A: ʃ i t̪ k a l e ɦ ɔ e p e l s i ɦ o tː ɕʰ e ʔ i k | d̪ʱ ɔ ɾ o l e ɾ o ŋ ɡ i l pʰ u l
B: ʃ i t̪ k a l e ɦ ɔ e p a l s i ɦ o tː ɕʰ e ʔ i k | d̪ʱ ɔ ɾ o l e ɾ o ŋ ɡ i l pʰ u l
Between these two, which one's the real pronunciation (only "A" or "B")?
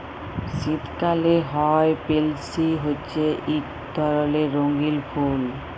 A